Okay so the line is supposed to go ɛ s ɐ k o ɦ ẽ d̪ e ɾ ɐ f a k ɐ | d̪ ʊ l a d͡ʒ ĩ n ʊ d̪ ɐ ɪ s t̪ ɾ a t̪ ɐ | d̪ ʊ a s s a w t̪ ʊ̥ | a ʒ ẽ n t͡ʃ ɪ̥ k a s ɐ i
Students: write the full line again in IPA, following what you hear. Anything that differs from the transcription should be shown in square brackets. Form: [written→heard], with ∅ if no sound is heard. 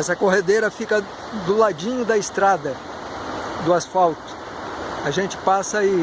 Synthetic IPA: ɛ s ɐ k o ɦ [ẽ→e] d̪ e ɾ ɐ f [a→i] k ɐ | d̪ ʊ l a d͡ʒ ĩ [n→ɲ] ʊ d̪ ɐ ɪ s t̪ ɾ a [t̪→d̪] ɐ | d̪ ʊ a s [s→f] a w t̪ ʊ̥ | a ʒ ẽ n t͡ʃ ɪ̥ [k→p] a s ɐ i